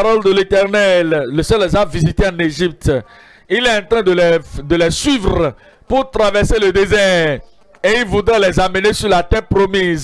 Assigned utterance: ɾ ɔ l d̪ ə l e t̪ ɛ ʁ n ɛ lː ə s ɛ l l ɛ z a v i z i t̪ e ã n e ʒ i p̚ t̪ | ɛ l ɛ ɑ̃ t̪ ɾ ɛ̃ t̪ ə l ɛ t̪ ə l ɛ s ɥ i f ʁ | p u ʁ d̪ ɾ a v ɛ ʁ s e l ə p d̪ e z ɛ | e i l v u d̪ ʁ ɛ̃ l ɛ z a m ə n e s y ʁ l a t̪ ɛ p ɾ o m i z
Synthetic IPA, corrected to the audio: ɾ ɔ l d̪ ə l e t̪ ɛ ʁ n ɛ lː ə s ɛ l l ɛ z a v i z i t̪ e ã n e ʒ i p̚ t̪ | i l ɛ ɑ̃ t̪ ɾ ɛ̃ d̪ ə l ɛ d̪ ə l ɛ s ɥ i v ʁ | p u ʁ t̪ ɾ a v ɛ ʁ s e l ə d̪ e z ɛ | e i l v u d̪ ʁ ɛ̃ l ɛ z a m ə n e s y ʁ l a t̪ ɛ p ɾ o m i z